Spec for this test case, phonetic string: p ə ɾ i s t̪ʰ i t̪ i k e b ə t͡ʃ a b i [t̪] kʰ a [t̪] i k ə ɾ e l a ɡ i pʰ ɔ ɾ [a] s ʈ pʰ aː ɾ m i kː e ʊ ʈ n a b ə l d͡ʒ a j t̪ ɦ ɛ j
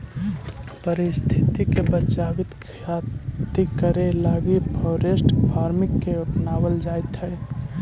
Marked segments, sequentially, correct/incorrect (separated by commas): correct, correct, incorrect